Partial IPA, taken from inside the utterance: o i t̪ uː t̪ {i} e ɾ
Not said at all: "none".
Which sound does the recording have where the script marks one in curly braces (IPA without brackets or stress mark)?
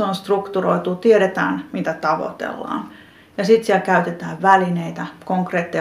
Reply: i